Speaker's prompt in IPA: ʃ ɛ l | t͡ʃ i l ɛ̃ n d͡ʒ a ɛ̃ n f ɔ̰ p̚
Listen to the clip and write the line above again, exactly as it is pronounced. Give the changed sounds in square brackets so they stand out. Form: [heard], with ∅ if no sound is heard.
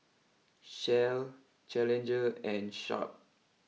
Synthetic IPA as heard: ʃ ɛ l | t͡ʃ [ɛ] l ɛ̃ n d͡ʒ [ə] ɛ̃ n [ʃ] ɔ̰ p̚